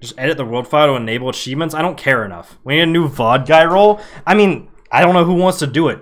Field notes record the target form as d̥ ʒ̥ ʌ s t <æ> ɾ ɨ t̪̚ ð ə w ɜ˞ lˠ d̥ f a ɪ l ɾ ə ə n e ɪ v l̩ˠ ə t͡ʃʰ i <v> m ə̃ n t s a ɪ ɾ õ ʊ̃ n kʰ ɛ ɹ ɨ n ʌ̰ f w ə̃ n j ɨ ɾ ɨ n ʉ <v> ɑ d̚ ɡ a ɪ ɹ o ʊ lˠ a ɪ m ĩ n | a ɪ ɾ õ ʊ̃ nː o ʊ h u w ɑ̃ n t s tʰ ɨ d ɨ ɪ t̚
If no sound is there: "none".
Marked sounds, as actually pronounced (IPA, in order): ɛ, v, v

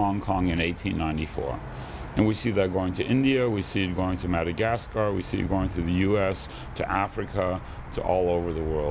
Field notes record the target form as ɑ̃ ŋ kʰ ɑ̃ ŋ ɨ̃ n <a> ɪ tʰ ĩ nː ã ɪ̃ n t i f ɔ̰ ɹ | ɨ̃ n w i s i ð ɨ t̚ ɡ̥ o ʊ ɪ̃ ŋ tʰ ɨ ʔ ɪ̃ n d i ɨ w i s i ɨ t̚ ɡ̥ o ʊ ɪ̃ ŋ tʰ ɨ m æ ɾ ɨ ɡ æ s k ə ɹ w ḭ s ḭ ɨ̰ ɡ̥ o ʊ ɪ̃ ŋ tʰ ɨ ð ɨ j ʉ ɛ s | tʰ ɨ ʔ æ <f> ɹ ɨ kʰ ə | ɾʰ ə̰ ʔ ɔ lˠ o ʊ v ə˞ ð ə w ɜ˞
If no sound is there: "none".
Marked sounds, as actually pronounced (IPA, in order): e, f

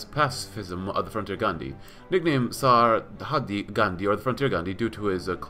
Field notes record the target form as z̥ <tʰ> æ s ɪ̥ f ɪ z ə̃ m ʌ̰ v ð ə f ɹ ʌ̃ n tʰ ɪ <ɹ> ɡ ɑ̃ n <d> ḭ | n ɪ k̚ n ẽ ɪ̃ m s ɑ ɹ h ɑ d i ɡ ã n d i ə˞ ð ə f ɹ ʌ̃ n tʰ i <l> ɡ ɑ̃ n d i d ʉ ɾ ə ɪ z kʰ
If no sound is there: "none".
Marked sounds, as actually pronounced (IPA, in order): pʰ, ɹ, d, ɹ

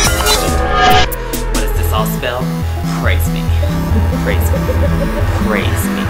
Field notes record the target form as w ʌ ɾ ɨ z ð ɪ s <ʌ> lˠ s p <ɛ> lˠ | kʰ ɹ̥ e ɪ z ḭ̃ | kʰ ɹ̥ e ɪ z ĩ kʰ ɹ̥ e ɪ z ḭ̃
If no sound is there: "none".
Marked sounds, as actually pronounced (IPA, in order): ɔ, ɛ

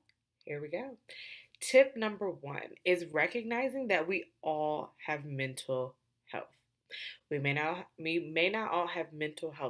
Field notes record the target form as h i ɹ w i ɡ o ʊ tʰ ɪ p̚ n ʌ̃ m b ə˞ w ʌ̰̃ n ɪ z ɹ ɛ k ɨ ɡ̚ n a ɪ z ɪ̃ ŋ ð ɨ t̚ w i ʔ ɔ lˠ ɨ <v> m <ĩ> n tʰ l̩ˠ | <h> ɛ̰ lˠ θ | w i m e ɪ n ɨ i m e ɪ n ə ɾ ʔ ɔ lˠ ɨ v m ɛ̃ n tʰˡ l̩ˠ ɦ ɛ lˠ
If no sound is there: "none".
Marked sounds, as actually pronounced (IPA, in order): v, ɛ̃, h

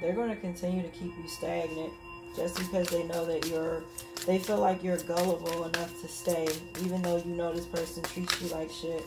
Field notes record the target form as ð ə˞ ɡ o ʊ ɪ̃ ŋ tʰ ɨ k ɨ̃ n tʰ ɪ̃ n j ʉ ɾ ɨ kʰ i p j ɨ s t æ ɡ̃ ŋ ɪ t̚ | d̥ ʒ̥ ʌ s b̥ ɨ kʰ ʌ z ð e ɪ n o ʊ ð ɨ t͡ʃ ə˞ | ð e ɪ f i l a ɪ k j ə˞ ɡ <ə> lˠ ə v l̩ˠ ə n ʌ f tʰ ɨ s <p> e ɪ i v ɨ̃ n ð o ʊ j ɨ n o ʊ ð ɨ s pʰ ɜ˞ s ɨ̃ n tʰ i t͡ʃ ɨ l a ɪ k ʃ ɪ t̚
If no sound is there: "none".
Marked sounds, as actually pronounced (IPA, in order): ʌ, t

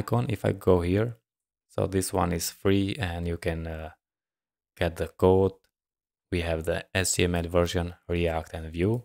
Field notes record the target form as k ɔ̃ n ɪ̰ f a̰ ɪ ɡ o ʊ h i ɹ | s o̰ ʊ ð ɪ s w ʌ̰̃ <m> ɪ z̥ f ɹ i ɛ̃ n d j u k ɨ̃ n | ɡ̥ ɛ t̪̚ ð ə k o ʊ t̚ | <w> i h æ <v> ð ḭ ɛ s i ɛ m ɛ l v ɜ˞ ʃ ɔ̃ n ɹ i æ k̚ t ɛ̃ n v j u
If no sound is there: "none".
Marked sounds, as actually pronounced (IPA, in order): n, w, v

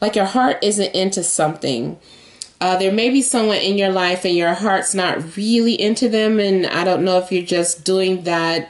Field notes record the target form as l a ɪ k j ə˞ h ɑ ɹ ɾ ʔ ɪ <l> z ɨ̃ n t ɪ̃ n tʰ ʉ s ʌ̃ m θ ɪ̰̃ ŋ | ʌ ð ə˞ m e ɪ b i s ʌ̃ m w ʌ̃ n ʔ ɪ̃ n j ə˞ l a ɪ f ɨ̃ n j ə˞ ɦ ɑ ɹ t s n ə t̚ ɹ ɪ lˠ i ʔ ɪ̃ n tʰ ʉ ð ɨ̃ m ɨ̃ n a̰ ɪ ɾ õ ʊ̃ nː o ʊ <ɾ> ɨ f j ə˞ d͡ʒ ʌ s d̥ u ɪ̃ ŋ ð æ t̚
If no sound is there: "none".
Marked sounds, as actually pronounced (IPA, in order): none, none

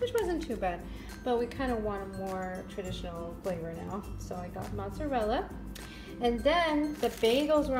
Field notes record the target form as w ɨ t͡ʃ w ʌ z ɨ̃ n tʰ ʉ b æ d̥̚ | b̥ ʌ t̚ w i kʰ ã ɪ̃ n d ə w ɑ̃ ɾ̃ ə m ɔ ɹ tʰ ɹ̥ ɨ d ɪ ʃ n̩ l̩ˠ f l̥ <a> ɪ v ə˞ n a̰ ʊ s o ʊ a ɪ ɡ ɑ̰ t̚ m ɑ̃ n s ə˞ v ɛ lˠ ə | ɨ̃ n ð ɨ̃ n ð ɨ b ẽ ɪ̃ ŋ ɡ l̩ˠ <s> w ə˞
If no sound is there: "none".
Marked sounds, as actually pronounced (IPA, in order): e, z

